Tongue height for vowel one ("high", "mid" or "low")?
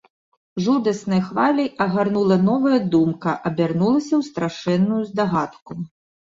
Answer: high